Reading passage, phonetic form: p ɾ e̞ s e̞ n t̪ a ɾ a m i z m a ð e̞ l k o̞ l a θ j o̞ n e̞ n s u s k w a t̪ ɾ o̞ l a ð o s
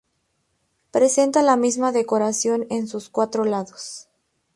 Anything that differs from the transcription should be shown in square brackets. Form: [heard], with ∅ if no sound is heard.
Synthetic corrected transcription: p ɾ e̞ s e̞ n t̪ a [l] a m i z m a ð e̞ [∅] k o̞ [ɾ] a [s] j o̞ n e̞ n s u s k w a t̪ ɾ o̞ l a ð o s